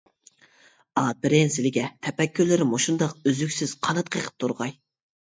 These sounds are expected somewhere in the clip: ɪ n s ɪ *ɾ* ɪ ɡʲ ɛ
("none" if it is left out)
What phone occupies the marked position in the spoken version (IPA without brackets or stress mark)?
l